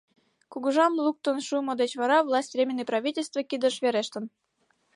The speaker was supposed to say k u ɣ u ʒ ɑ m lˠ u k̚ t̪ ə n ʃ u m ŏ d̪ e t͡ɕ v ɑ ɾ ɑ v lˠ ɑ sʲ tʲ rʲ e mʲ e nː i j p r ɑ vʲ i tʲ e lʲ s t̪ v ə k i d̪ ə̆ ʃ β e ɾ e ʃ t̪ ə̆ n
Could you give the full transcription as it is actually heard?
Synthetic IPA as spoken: k u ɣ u ʒ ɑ m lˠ u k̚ t̪ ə n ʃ u m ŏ d̪ e t͡ɕ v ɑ ɾ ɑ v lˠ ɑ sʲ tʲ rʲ e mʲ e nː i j p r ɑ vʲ i tʲ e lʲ s t̪ v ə k i d̪ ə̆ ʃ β e ɾ e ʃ t̪ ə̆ n